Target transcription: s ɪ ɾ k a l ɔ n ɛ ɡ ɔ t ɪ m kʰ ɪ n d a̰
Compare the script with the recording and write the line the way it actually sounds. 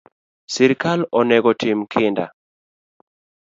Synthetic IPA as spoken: s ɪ ɾ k a l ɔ n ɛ ɡ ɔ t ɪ m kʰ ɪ n d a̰